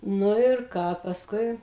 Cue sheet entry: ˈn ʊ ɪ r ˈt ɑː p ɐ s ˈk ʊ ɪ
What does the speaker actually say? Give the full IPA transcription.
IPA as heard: ˈn ʊ ɪ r ˈk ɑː p ɐ s ˈk ʊ ɪ